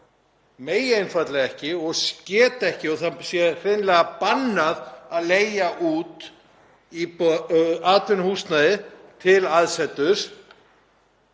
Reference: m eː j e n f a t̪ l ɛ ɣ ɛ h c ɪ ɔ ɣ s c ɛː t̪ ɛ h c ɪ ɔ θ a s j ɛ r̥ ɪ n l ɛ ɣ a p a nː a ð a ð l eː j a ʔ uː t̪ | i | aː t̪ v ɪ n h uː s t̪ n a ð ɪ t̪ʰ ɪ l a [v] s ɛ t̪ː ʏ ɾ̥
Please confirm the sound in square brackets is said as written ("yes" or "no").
no